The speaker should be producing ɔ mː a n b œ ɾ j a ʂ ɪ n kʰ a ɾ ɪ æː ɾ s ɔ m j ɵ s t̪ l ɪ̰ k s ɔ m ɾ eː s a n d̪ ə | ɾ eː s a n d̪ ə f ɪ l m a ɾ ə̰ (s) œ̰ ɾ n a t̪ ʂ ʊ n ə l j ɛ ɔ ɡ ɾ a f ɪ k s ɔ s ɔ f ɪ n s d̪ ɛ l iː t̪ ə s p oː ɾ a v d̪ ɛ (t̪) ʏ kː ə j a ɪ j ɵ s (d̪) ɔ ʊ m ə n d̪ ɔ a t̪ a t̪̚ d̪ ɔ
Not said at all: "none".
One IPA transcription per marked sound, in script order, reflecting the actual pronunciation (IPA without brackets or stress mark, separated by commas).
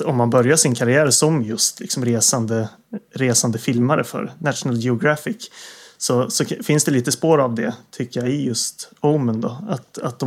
f, t̪ʰ, t̪